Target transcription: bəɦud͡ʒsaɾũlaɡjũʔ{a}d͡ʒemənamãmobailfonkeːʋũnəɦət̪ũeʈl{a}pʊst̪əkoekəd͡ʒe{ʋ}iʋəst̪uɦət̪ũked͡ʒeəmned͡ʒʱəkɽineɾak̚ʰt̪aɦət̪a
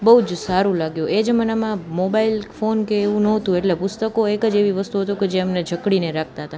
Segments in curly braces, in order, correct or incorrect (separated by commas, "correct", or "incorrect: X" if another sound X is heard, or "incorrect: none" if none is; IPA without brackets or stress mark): incorrect: e, incorrect: e, correct